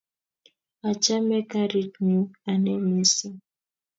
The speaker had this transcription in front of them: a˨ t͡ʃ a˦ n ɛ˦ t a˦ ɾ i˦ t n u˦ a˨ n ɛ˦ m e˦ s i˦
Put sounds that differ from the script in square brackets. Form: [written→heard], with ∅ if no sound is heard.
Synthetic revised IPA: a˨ t͡ʃ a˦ [n→m] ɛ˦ [t→k] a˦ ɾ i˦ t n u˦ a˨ n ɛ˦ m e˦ s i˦